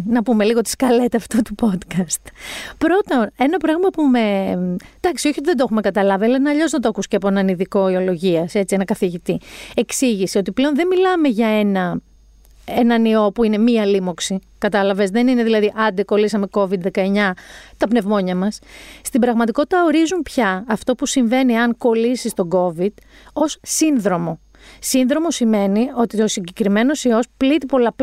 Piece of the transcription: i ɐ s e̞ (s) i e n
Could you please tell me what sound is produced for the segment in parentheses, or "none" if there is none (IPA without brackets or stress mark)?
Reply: t͡s